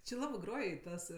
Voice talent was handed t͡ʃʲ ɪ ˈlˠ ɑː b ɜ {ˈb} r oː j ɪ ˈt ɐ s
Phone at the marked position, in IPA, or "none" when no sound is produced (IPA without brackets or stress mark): ɡ